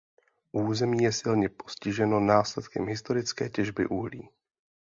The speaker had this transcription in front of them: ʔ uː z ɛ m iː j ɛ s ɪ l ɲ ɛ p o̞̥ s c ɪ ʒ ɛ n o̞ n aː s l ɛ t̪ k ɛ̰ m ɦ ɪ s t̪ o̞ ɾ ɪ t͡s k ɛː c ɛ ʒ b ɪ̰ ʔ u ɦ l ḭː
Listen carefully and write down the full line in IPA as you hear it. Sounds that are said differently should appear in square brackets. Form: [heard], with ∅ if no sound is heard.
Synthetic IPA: ʔ uː z ɛ m iː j ɛ s ɪ l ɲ ɛ p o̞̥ s c ɪ ʒ ɛ n o̞ n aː s l ɛ t̪ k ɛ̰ m ɦ ɪ s t̪ o̞ ɾ ɪ t͡s k ɛː c ɛ ʒ b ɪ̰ ʔ u ɦ l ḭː